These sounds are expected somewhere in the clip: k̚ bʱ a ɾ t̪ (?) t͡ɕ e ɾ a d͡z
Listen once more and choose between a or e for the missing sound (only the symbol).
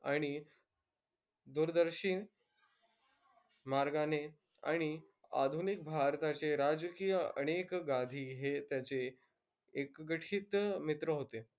a